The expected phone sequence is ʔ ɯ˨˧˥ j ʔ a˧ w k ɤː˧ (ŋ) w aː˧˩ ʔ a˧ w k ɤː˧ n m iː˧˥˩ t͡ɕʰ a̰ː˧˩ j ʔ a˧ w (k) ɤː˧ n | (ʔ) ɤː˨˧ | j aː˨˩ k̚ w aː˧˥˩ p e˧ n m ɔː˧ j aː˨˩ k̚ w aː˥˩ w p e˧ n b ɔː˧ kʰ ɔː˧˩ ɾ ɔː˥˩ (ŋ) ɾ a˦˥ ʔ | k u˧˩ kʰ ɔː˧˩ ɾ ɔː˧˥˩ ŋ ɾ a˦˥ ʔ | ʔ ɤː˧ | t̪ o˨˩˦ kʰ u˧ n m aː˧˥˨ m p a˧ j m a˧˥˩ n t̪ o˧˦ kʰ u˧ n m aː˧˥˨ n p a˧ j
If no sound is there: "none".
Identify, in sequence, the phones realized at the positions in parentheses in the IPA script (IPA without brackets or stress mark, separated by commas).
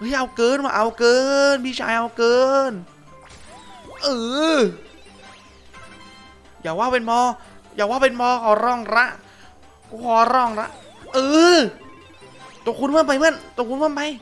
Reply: n, k, ʔ, ŋ